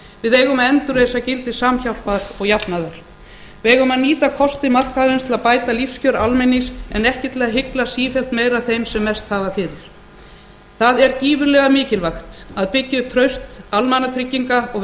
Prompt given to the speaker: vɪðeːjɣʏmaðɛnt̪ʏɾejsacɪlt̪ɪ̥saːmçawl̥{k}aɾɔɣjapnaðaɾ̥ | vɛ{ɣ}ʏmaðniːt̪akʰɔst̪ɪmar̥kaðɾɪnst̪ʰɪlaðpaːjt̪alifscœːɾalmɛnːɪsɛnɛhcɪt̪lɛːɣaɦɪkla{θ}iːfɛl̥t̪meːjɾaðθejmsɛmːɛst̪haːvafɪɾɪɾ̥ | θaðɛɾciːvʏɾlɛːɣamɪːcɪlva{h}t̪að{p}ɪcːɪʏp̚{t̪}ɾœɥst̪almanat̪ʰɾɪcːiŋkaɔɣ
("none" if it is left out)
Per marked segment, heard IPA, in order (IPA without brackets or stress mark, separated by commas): p, ɣ, s, x, p, t̪ʰ